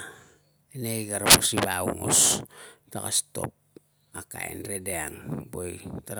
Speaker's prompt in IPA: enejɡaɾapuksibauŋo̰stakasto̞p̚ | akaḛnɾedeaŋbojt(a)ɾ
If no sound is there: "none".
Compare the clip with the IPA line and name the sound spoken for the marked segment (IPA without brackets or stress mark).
a